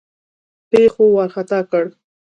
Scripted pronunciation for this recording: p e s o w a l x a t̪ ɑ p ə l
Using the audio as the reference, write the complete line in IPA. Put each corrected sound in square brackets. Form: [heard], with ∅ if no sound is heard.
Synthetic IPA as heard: p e [x] o w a [ɾ] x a t̪ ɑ [k] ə [ɽ]